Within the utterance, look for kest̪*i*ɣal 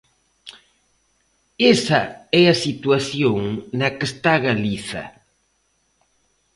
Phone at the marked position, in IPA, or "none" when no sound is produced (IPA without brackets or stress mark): a